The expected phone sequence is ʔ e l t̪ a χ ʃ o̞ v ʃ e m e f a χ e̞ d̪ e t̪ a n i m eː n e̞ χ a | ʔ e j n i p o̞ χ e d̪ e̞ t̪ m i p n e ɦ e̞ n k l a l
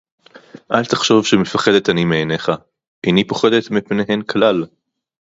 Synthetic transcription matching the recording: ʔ a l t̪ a χ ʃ o̞ v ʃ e m e f a χ e̞ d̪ e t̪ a n i m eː n e̞ χ a | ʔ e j n i p o̞ χ e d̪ e̞ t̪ m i p n e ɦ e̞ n k l a l